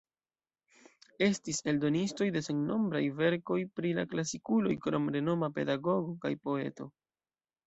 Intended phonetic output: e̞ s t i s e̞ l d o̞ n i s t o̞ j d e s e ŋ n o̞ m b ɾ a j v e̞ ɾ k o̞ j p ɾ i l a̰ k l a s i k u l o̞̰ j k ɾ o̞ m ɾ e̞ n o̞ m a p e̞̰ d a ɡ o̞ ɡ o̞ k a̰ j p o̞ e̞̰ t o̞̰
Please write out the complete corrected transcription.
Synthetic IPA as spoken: e̞ s t i s e̞ l d o̞ n i s t o̞ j d e s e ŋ n o̞ m b ɾ a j v e̞ ɾ k o̞ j p ɾ i l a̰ k l a s i k u l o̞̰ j k ɾ o̞ m ɾ e̞ n o̞ m a p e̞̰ d a ɡ o̞ ɡ o̞ k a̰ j p o̞ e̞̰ t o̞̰